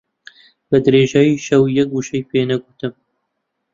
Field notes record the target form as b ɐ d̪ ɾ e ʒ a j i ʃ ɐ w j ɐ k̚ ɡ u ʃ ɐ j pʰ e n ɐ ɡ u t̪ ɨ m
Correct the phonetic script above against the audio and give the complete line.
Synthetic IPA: b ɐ d̪ ɾ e ʒ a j i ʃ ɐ w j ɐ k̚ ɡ u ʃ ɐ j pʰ e n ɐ ɡ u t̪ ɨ m